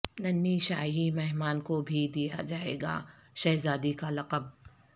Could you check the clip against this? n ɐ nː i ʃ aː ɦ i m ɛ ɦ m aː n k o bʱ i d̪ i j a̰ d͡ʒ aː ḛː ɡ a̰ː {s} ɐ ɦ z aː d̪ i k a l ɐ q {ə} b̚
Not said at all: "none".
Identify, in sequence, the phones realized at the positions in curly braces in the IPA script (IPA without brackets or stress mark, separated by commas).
ʃ, ə